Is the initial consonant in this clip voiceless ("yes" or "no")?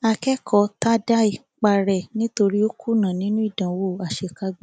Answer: yes